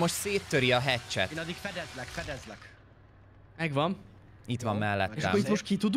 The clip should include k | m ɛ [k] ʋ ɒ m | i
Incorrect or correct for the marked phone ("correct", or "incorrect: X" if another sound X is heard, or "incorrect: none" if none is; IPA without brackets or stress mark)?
incorrect: ɡ